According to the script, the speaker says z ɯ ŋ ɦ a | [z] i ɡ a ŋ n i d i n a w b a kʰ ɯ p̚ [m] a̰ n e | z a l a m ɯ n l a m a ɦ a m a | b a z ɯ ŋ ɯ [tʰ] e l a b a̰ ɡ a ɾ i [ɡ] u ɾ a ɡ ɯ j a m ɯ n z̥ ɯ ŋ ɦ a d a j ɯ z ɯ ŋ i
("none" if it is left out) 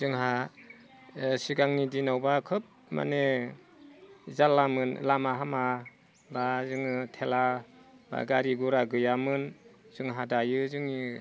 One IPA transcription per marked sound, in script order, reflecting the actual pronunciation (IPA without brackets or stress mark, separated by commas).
s, m, tʰ, ɡ